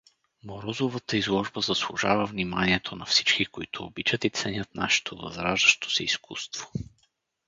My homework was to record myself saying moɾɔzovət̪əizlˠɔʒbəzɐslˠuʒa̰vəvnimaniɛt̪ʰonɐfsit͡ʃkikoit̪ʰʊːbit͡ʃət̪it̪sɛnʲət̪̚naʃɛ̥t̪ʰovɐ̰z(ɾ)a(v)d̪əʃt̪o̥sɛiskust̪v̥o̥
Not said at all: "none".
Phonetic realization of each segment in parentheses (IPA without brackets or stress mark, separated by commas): ɾ, ʒ